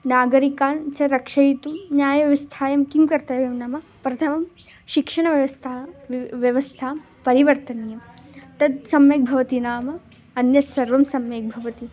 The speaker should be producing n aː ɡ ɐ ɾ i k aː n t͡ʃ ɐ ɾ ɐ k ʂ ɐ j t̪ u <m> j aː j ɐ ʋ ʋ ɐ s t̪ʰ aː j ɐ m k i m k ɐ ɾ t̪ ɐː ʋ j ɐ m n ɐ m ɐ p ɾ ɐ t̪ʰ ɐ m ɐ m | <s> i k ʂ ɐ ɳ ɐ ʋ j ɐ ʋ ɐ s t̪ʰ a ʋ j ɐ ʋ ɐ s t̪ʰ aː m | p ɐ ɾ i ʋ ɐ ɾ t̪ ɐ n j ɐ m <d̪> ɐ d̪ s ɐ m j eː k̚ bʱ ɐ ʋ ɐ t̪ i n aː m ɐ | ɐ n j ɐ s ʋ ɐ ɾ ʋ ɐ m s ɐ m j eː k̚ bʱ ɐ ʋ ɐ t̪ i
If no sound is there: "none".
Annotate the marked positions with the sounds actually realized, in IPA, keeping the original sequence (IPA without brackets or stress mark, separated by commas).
n, ʃ, t̪